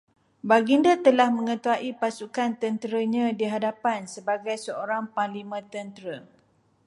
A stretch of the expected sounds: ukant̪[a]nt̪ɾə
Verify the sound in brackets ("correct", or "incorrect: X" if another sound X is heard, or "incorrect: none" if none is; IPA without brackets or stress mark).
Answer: incorrect: ə